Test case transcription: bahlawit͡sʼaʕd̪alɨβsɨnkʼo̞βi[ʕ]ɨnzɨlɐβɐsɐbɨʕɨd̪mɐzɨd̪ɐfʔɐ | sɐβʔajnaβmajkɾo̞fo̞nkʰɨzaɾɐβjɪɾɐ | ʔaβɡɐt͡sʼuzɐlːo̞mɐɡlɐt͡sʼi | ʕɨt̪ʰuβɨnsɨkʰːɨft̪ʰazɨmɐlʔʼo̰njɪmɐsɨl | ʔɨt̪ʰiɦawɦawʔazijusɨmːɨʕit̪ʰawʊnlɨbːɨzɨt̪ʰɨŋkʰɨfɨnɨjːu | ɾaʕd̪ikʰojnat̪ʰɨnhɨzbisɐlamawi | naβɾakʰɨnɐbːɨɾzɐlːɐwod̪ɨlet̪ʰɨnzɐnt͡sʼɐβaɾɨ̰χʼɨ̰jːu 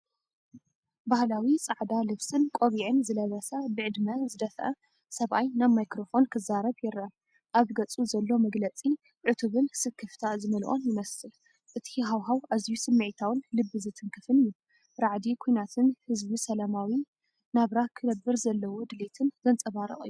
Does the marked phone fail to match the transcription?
no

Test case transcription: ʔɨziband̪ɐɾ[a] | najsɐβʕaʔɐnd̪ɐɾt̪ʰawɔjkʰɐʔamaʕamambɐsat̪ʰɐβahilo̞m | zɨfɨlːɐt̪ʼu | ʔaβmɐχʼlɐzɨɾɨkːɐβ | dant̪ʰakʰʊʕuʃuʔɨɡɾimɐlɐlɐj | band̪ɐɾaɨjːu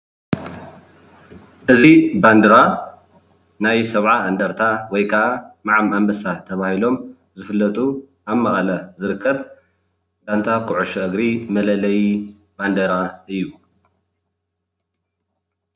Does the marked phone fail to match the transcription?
no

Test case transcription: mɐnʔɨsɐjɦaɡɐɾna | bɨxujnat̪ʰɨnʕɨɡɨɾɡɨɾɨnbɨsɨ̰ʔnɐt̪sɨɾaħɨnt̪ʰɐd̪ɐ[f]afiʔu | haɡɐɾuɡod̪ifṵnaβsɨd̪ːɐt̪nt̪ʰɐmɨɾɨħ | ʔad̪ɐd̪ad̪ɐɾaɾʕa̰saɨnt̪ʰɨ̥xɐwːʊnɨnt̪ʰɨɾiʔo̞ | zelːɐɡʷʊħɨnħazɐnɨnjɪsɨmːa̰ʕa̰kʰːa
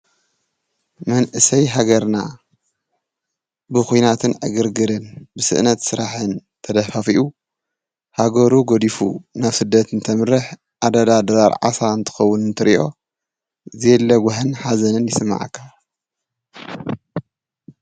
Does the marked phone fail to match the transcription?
no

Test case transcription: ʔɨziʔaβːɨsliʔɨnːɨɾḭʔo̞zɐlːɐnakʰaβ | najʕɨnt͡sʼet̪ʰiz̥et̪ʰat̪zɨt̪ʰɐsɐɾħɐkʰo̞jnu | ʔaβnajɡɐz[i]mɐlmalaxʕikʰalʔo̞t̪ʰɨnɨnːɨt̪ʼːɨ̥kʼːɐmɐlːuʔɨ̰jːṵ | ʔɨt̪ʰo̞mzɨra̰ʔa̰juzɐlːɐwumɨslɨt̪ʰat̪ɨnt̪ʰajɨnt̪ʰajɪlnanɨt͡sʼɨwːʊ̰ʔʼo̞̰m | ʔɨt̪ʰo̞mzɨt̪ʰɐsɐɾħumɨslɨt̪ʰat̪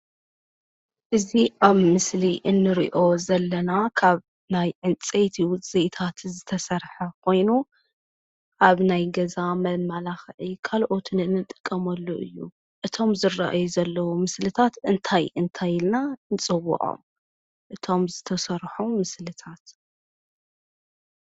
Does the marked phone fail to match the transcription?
yes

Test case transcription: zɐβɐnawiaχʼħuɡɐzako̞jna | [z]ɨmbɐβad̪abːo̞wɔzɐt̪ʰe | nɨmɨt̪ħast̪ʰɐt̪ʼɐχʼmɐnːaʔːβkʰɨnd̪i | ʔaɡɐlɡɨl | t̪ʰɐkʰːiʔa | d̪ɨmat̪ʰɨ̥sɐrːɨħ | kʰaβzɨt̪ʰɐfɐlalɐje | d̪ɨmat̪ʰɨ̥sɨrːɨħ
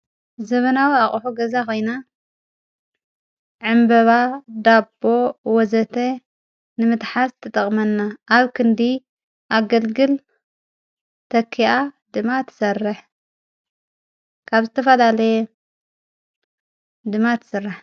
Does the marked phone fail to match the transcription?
yes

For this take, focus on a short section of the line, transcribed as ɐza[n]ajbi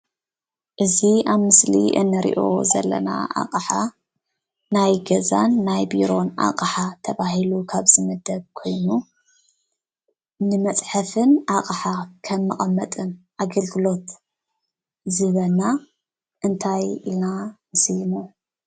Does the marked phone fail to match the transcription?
yes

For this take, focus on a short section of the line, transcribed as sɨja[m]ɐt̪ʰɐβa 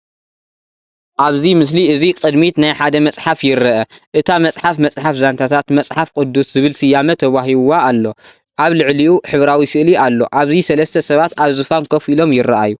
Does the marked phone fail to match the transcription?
no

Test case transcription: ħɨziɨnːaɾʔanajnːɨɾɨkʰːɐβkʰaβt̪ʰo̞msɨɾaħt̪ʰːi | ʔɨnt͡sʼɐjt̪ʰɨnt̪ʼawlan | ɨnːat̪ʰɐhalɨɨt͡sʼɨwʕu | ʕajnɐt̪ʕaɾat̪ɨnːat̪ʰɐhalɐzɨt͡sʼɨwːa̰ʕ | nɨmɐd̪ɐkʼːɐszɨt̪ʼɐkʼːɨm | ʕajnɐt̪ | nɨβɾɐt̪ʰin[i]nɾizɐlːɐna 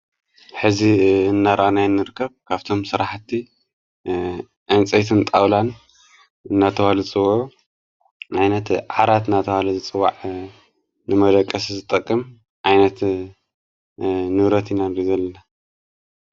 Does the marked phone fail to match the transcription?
yes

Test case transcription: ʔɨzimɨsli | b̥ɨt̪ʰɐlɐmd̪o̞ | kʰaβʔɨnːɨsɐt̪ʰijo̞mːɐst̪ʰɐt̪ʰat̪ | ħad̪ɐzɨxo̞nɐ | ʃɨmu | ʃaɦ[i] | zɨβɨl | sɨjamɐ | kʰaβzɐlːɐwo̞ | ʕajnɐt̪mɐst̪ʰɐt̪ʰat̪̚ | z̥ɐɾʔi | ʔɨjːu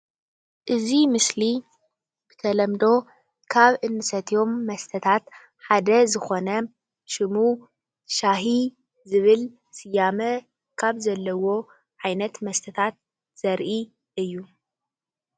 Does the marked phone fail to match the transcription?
no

